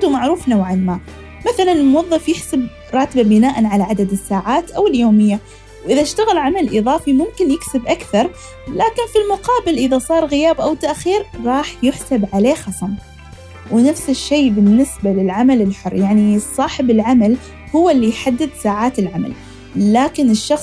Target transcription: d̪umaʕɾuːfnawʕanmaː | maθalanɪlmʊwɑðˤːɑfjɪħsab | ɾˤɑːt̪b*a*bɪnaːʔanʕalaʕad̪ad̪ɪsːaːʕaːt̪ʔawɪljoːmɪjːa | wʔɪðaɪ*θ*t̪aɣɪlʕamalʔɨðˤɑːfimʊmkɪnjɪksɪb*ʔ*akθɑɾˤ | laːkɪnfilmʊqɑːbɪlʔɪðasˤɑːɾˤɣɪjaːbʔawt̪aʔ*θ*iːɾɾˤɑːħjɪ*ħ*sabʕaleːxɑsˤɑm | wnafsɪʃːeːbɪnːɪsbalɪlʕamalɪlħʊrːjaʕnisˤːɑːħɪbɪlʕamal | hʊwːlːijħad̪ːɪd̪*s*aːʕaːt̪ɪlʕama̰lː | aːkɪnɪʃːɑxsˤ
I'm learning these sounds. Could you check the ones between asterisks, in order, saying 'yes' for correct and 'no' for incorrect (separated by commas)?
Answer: yes, no, yes, no, yes, yes